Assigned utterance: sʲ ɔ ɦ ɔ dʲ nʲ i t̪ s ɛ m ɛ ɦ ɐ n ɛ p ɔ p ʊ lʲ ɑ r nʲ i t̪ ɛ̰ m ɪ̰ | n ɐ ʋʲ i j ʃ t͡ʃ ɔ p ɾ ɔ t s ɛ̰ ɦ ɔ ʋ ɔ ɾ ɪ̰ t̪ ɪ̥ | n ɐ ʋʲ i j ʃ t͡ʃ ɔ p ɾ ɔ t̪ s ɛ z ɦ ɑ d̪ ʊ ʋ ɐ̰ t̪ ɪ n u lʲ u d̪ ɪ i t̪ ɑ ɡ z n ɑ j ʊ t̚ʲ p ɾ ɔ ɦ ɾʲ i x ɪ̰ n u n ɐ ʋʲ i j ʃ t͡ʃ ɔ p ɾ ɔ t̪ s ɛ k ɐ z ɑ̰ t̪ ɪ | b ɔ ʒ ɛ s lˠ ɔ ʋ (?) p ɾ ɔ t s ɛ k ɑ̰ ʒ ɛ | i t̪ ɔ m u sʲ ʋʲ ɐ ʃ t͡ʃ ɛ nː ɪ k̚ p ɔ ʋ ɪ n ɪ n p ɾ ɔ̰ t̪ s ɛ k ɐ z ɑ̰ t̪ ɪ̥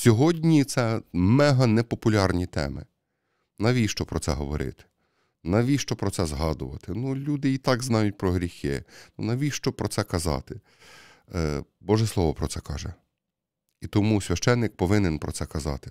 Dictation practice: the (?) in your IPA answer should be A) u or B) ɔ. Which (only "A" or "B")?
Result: B